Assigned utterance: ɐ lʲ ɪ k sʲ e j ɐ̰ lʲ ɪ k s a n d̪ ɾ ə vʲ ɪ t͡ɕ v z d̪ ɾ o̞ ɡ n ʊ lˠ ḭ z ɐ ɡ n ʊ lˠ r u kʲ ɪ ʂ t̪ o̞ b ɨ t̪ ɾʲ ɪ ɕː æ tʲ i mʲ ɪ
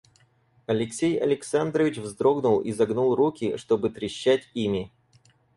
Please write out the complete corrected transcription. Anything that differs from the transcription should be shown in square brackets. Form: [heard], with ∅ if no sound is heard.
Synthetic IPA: ɐ lʲ ɪ k sʲ e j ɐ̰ lʲ ɪ k s a n d̪ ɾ ə vʲ ɪ t͡ɕ v z d̪ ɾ o̞ ɡ n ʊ lˠ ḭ z ɐ ɡ n [u] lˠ r u kʲ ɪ ʂ t̪ o̞ b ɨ t̪ ɾʲ ɪ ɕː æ tʲ i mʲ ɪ